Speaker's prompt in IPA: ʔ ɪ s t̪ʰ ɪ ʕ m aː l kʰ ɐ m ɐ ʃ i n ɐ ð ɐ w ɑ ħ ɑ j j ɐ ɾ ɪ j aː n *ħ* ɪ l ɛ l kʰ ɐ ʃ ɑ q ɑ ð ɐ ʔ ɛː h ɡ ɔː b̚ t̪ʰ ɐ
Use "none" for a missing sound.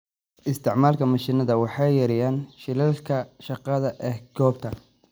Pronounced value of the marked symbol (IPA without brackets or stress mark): ʃ